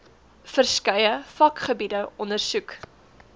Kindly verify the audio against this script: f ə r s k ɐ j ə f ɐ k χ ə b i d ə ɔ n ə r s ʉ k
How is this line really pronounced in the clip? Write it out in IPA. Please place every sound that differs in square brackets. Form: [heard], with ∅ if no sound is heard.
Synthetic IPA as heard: f ə r s k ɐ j ə f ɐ k χ ə b i d ə ɔ n ə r s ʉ k